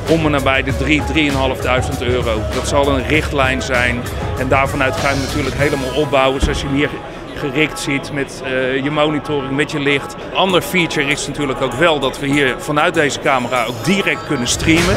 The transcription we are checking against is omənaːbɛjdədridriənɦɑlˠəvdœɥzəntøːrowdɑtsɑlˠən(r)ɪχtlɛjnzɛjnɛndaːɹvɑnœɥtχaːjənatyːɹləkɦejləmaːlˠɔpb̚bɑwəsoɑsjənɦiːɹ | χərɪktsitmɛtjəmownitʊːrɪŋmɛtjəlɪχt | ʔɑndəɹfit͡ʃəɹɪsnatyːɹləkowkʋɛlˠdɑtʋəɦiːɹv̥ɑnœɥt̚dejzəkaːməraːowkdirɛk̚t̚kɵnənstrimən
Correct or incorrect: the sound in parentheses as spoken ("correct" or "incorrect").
correct